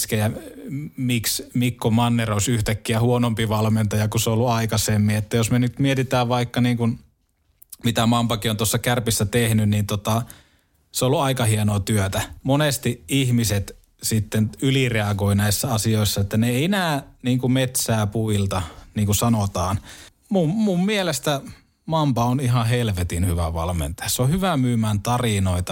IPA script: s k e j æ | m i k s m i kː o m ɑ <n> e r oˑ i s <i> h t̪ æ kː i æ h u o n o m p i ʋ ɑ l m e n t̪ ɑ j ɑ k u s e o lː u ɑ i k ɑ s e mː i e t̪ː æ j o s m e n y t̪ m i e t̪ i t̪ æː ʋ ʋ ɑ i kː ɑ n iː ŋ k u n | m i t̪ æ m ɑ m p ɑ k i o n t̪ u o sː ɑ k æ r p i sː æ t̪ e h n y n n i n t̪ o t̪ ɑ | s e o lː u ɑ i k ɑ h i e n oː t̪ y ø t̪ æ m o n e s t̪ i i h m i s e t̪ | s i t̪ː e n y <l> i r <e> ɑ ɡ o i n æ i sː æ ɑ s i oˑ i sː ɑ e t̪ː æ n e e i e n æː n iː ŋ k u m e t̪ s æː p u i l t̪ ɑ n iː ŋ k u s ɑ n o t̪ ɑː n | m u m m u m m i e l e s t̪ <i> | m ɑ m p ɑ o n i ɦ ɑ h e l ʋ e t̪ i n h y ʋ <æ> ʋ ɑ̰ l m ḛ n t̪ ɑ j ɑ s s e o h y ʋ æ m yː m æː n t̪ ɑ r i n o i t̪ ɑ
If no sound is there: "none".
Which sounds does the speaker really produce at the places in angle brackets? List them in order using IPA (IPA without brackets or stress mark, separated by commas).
nː, y, l, e, æ, æ